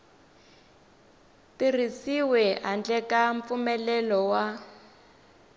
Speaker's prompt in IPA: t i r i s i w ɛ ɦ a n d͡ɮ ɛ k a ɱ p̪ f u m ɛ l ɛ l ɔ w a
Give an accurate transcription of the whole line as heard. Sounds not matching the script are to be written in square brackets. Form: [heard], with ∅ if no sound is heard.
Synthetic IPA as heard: t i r i s i w ɛ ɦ a n d͡ɮ ɛ k a ɱ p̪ f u m ɛ l ɛ l ɔ w a